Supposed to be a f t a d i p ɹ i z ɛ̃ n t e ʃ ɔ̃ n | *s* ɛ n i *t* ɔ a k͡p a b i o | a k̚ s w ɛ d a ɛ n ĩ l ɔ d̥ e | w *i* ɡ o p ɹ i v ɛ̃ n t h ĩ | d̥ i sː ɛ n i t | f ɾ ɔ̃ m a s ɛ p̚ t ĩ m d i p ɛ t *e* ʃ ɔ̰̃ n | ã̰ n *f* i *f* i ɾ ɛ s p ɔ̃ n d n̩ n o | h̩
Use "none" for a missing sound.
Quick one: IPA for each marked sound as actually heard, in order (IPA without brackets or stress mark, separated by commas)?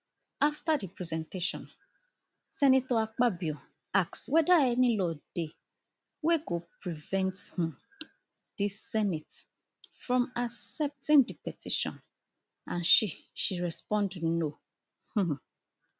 s, t, e, i, ʃ, ʃ